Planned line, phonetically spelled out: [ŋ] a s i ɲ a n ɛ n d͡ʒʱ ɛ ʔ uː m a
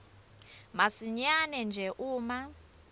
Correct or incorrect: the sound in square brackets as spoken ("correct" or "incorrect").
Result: incorrect